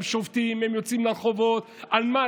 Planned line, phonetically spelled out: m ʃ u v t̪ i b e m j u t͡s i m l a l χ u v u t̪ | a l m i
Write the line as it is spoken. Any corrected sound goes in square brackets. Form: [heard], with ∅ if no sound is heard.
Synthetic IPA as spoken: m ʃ [o] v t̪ i [m] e m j [o] t͡s i m l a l χ [o] v [o] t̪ | a l m [a]